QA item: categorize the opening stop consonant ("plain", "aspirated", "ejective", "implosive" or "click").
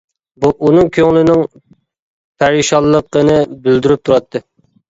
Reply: plain